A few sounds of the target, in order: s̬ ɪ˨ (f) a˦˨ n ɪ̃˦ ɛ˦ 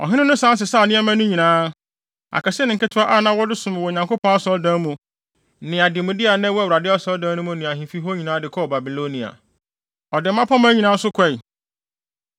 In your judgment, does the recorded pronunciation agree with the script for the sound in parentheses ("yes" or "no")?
no